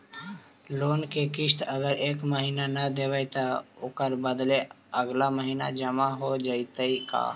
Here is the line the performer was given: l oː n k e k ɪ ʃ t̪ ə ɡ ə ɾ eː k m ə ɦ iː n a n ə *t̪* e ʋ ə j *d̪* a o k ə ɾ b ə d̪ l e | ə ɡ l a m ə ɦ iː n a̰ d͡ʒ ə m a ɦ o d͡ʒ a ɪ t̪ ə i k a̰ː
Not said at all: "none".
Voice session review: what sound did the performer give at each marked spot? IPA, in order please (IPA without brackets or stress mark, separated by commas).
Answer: d̪, t̪